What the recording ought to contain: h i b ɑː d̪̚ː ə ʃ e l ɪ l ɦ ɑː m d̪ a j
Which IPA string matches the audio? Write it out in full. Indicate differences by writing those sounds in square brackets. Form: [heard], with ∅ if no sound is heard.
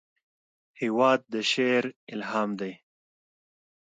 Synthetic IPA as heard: h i [w] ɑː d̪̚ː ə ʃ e [ɾ] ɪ l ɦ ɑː m d̪ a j